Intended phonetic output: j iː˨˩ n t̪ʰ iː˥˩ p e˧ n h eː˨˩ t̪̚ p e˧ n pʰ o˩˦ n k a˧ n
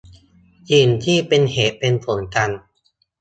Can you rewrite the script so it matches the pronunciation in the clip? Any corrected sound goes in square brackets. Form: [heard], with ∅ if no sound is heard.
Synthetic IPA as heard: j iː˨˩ n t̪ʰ iː˥˩ p e˧ n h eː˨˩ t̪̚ p e˧ n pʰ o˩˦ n k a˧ n